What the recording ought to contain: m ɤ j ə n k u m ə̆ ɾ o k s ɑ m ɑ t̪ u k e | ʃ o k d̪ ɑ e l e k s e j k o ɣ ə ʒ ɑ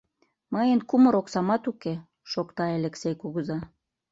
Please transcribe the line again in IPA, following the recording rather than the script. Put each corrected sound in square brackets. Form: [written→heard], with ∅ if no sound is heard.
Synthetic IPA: m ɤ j ə n k u m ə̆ ɾ o k s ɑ m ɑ t̪ u k e | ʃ o k [d̪→t̪] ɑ e l e k s e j k [o→u] ɣ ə [ʒ→z] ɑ